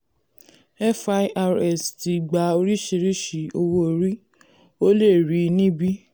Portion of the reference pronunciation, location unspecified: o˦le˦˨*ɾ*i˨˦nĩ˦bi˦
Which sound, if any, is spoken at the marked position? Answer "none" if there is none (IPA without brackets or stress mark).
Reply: ɾ